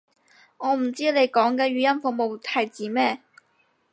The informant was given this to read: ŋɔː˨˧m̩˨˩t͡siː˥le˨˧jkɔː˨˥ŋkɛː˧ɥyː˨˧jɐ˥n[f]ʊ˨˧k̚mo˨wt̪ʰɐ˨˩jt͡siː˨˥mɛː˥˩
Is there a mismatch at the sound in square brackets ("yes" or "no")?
no